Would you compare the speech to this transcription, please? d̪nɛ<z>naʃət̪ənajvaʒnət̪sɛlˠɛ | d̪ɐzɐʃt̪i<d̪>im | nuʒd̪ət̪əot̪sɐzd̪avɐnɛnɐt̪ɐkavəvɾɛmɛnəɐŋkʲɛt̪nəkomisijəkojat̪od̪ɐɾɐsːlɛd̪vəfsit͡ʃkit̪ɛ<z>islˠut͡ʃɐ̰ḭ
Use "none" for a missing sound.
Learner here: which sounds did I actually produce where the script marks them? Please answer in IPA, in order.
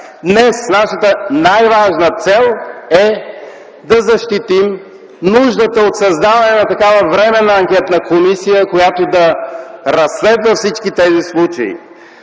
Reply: s, t̪, z

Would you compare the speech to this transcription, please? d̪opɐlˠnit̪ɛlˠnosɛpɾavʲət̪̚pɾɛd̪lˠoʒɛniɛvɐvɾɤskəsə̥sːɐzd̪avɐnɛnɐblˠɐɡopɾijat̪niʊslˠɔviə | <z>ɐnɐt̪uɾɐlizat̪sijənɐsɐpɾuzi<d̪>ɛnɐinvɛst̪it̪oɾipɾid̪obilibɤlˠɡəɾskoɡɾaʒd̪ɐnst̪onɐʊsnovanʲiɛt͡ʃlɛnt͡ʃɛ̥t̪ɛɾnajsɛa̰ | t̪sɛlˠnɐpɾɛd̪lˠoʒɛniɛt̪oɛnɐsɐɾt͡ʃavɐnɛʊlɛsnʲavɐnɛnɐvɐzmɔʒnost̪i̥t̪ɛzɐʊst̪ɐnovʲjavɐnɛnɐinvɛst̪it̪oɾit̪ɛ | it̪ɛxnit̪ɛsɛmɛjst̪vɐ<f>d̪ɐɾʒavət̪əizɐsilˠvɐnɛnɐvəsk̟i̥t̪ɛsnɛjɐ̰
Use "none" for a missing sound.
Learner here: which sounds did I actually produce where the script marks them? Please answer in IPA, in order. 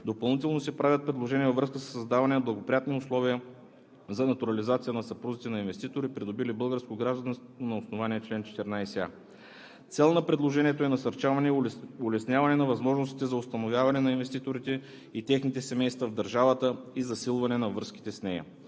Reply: z, t̪, v

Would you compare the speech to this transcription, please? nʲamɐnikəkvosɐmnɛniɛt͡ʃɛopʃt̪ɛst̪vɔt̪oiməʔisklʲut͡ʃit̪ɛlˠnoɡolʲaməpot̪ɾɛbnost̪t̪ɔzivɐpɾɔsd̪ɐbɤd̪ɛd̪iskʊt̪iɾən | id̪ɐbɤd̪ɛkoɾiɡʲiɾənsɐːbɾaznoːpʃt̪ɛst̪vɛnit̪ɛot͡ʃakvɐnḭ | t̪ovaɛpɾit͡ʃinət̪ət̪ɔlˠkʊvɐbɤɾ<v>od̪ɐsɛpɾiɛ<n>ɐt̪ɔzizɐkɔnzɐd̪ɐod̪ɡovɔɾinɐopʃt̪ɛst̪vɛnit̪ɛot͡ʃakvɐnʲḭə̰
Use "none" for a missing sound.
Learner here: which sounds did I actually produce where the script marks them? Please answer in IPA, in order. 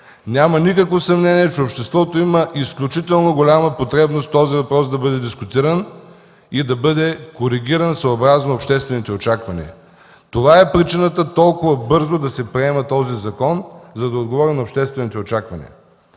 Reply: z, m

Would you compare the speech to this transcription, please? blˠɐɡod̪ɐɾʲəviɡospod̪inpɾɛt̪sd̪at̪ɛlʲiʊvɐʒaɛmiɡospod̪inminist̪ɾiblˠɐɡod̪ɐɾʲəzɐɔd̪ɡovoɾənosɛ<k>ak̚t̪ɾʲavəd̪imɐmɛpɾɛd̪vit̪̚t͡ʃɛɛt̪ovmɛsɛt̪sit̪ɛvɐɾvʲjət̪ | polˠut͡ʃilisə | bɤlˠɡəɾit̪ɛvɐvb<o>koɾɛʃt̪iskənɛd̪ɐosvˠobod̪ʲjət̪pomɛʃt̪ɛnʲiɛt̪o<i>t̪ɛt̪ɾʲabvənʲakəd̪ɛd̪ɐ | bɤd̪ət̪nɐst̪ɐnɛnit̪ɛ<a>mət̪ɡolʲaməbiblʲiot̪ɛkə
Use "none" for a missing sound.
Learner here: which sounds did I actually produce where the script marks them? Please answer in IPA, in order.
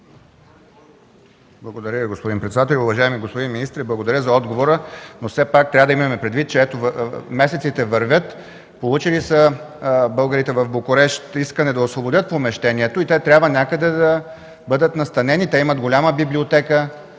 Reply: p, o, i, i

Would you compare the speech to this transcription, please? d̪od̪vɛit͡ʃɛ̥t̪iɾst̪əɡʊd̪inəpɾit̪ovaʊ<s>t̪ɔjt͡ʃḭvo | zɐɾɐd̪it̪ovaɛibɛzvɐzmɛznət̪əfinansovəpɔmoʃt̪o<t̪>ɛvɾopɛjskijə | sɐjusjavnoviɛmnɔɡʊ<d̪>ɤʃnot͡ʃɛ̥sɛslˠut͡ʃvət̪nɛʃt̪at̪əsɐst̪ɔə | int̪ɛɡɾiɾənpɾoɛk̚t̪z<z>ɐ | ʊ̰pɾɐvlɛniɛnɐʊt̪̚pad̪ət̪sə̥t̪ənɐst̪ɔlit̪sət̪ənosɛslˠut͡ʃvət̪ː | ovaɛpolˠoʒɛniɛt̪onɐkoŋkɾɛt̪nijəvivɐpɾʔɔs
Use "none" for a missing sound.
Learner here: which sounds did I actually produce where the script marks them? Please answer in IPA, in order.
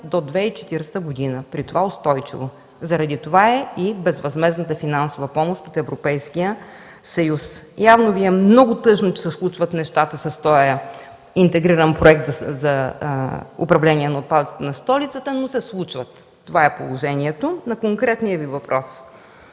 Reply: s, t̪, t̪, z

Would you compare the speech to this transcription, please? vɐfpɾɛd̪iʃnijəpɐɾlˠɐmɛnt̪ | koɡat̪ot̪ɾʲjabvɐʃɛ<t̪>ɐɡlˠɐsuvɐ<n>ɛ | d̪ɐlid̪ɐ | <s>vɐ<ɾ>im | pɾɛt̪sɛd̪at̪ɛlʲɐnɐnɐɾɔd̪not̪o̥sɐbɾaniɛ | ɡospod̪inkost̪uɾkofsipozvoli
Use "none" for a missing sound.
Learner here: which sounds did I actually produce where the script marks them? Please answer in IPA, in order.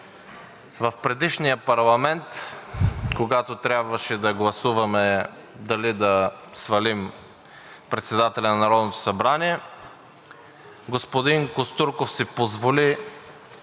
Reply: d̪, m, s, l

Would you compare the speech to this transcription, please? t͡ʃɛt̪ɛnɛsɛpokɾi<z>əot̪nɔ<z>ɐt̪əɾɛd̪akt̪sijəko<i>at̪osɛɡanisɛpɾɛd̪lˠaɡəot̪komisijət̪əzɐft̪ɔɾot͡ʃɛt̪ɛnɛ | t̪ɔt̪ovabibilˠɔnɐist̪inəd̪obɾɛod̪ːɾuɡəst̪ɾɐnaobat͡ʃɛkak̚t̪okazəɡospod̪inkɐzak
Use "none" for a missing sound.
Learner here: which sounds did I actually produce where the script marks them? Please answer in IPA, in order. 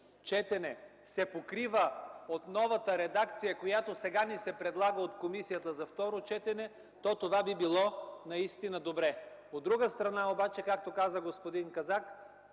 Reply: v, v, j

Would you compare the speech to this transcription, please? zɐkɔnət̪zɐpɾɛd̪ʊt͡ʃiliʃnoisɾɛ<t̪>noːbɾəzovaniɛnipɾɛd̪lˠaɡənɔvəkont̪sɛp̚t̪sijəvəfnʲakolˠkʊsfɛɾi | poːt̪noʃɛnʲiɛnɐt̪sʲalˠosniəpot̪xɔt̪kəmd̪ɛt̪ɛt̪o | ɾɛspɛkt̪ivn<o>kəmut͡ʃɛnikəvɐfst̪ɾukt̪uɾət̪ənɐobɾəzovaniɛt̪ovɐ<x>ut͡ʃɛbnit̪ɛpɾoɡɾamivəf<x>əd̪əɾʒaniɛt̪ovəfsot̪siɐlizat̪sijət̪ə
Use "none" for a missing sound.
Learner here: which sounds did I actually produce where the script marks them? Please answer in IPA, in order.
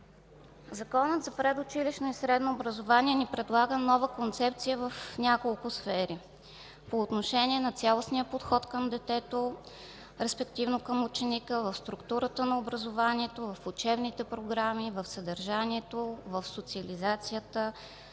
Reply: d̪, o, f, s

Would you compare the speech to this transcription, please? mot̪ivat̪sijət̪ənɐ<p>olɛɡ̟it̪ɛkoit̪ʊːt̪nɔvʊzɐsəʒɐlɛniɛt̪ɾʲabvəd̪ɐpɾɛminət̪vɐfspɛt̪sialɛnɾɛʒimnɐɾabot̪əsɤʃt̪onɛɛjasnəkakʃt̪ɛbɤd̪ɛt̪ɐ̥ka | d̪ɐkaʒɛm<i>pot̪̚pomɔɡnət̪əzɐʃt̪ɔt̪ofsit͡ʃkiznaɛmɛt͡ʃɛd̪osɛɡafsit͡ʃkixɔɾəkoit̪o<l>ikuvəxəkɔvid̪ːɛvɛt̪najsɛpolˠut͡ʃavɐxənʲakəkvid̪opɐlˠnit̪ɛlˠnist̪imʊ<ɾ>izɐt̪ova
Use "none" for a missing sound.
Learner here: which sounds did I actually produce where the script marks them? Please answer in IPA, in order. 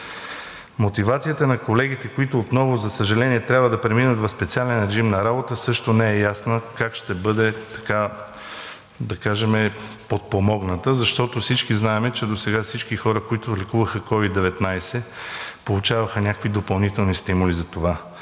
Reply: k, ɛ, l, l

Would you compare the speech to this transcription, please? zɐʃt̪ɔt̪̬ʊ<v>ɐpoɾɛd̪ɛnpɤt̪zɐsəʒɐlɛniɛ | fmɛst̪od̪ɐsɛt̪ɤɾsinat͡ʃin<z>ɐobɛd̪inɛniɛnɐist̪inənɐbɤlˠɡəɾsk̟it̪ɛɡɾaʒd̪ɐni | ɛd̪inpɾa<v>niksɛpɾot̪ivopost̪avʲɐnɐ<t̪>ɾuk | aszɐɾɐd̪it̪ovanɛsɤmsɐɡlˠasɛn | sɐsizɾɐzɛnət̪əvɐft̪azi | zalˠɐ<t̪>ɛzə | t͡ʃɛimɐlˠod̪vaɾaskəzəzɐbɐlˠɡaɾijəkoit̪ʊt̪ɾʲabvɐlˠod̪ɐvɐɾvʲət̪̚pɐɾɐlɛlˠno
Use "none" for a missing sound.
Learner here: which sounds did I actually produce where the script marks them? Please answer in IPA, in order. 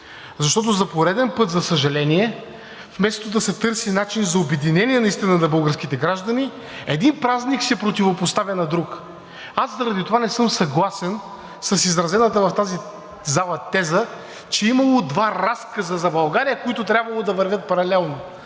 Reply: z, z, z, d̪, t̪

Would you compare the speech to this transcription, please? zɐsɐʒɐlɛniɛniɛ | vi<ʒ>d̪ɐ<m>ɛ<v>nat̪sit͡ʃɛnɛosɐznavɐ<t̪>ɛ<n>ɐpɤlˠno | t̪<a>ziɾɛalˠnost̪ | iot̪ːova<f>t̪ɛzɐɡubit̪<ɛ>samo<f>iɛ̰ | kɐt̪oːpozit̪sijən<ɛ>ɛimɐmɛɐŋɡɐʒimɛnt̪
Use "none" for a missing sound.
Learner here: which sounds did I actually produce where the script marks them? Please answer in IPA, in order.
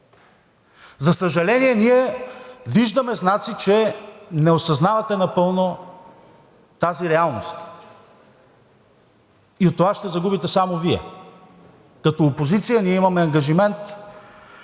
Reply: ʒ, m, z, t̪, n, a, ʃ, ɛ, v, i

